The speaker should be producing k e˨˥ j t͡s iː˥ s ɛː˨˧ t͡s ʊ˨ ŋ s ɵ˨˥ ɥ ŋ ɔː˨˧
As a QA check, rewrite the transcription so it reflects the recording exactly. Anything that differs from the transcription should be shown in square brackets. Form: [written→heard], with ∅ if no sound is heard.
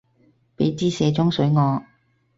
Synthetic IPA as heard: [k→p] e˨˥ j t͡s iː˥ s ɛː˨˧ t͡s [ʊ˨→ʊ˥] ŋ s ɵ˨˥ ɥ ŋ ɔː˨˧